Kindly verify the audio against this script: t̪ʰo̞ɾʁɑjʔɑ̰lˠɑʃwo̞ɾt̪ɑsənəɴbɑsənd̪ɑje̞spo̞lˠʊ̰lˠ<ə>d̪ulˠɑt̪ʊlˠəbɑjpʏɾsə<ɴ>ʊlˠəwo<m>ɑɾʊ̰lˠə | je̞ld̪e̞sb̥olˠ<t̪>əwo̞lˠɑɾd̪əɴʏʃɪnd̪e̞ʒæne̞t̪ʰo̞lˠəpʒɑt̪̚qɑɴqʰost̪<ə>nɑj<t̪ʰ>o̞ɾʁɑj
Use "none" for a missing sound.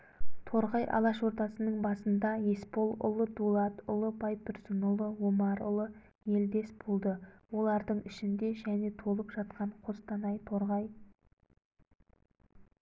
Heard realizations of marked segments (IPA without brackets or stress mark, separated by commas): ə, n, m, d̪, ɑ, t̪ʰ